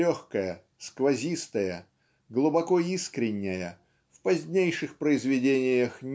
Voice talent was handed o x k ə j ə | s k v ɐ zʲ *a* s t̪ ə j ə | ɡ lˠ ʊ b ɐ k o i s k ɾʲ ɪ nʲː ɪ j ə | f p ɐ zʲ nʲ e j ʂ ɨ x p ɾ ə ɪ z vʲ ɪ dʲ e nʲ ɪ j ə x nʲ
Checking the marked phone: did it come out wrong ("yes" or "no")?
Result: yes